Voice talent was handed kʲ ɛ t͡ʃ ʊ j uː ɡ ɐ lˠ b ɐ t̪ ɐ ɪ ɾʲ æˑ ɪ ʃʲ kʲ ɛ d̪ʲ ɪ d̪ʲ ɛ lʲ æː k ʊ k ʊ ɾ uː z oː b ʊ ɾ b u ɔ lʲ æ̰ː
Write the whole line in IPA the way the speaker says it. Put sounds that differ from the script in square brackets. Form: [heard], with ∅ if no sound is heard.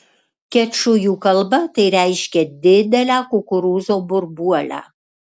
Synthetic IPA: kʲ ɛ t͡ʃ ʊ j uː [k] ɐ lˠ b ɐ t̪ ɐ ɪ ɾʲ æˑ ɪ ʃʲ kʲ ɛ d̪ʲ ɪ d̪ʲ ɛ lʲ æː k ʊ k ʊ ɾ uː z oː b ʊ ɾ b u ɔ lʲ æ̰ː